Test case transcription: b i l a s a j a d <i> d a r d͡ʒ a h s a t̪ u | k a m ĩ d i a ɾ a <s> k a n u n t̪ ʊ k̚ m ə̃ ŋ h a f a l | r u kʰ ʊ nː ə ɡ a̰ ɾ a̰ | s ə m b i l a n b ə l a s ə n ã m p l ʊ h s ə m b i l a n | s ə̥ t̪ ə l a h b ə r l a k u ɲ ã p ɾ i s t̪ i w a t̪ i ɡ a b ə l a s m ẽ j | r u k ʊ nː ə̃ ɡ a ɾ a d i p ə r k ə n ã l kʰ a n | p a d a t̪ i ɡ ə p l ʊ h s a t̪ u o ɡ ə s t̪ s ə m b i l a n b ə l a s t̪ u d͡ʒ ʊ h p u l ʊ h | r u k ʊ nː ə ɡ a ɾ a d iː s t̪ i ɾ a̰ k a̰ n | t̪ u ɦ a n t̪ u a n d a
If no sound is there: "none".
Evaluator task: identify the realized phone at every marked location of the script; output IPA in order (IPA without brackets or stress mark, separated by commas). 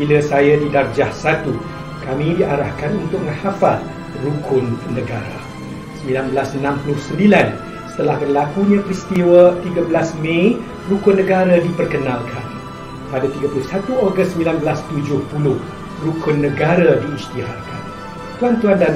i, h